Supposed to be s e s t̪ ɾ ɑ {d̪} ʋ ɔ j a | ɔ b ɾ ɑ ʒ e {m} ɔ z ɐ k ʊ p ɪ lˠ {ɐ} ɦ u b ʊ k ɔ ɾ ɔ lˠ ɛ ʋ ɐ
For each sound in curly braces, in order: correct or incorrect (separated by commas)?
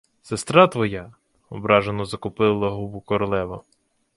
incorrect, incorrect, correct